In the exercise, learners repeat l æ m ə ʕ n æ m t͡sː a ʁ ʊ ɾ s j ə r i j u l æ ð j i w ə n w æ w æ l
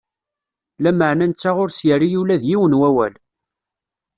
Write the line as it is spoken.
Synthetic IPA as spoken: l æ m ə ʕ n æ n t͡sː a ʁ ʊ ɾ s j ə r i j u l æ ð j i w ə n w æ w æ l